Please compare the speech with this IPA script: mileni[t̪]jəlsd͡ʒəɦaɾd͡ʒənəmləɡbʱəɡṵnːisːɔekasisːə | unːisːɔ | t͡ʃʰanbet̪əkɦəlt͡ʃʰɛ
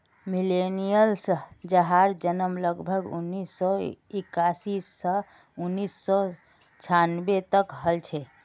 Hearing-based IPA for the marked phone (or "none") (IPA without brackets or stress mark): none